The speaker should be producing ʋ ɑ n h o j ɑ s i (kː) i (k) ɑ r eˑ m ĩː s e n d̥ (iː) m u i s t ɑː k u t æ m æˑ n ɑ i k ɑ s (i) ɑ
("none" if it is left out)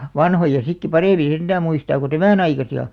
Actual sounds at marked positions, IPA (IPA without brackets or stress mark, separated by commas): kː, p, æː, i